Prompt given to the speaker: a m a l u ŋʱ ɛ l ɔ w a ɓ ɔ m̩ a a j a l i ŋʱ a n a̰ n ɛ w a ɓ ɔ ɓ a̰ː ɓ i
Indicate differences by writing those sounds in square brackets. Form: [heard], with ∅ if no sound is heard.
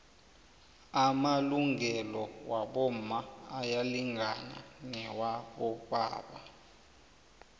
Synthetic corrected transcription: a m a l u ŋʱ ɛ l ɔ w a ɓ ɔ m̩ a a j a l i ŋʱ a n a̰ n ɛ w a ɓ ɔ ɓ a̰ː ɓ [a]